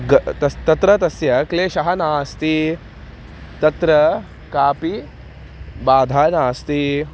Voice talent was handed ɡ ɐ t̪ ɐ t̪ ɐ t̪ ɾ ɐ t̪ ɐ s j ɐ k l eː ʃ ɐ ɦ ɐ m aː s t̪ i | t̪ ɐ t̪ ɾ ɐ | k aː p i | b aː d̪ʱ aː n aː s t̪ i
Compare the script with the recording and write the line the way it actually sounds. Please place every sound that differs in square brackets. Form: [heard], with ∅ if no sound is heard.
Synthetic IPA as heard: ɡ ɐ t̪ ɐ t̪ ɐ t̪ ɾ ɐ t̪ ɐ s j ɐ k l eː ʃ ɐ ɦ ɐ [n] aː s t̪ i | t̪ ɐ t̪ ɾ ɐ | k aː p i | b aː d̪ʱ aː n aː s t̪ i